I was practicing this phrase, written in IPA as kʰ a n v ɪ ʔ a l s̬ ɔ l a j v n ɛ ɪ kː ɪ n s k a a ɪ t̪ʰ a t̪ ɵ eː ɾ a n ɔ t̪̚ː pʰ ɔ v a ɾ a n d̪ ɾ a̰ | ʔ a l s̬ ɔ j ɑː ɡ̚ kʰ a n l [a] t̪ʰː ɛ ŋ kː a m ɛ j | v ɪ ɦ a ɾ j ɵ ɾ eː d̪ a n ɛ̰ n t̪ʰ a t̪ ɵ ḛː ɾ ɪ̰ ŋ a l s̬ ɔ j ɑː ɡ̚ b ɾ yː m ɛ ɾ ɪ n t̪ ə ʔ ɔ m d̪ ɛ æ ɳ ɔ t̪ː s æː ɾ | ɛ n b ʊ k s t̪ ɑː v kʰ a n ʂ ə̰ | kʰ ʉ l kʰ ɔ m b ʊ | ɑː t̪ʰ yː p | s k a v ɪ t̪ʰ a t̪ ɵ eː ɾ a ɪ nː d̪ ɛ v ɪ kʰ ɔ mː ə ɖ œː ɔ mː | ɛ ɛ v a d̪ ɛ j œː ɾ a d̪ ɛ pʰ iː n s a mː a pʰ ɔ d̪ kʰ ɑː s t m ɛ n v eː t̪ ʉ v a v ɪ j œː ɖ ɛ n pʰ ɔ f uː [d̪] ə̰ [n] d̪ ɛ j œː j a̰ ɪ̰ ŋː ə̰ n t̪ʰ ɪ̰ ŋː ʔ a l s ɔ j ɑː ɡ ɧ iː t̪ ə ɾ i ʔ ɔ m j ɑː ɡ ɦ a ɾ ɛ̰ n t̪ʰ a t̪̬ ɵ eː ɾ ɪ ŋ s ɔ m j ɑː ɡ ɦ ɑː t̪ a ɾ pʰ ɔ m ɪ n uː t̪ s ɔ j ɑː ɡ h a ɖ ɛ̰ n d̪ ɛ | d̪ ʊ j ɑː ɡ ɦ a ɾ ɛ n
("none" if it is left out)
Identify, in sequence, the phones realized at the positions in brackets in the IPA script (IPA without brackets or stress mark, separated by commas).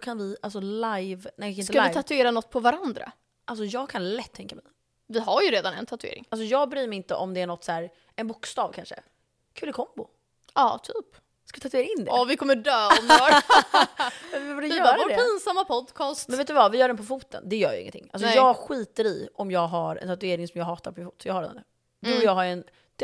ɛ, t̪, n